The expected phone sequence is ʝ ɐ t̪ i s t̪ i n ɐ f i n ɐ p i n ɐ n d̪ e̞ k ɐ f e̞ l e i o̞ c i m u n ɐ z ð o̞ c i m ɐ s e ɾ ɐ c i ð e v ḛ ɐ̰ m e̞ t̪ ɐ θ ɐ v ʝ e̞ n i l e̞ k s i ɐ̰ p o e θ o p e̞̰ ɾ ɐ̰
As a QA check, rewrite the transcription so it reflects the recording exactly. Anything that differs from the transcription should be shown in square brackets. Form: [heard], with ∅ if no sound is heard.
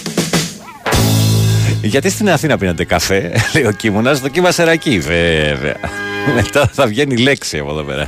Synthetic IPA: ʝ ɐ t̪ i s t̪ i n ɐ [θ] i n ɐ p i n ɐ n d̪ e̞ k ɐ f e̞ l e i o̞ c i m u n ɐ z ð o̞ c i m ɐ s e ɾ ɐ c i [v] e v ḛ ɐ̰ m e̞ t̪ ɐ θ ɐ v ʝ e̞ n i l e̞ k s i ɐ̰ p o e [ð] o p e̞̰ ɾ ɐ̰